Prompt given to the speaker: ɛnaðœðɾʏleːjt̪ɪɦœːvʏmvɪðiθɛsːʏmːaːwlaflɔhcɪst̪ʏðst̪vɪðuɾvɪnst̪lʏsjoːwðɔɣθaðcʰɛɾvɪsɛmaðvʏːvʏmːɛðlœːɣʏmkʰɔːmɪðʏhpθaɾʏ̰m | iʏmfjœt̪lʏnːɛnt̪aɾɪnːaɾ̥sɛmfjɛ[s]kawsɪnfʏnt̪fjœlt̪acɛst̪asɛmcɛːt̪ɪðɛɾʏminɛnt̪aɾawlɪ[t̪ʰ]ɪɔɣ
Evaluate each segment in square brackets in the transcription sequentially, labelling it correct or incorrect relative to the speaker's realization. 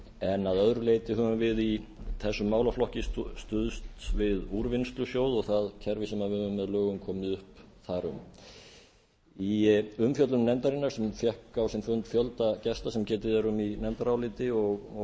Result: incorrect, incorrect

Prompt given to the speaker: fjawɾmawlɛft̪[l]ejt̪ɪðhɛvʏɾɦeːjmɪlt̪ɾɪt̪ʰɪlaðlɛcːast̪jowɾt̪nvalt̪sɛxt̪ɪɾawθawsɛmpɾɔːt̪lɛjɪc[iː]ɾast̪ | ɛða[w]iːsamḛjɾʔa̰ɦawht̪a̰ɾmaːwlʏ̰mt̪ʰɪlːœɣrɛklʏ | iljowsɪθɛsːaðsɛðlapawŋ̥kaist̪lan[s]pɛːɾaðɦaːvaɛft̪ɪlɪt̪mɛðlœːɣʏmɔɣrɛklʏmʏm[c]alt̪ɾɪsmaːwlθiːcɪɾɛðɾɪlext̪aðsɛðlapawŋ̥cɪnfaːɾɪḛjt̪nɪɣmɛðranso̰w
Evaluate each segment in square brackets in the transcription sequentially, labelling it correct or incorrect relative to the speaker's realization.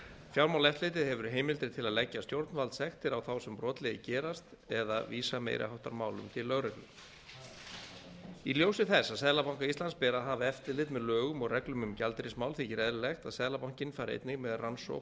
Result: correct, incorrect, incorrect, correct, correct

